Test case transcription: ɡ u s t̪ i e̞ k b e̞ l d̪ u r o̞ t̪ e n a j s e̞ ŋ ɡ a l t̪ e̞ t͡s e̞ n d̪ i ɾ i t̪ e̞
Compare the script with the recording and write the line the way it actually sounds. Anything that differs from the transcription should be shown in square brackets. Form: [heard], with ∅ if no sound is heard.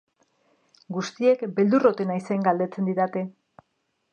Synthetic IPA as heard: ɡ u s t̪ i e̞ k b e̞ l d̪ u r o̞ t̪ e n a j s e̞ ŋ ɡ a l [d̪] e̞ t͡s e̞ n d̪ i ɾ [a] t̪ e̞